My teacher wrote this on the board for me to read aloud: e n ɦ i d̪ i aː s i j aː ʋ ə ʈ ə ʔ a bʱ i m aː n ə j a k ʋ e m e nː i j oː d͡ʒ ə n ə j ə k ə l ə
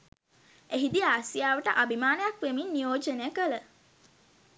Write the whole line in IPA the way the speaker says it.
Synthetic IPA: e ɦ i d̪ i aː s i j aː ʋ ə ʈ ə ʔ a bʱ i m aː n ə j a k ʋ e m i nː i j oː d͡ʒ ə n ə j ə k ə l ə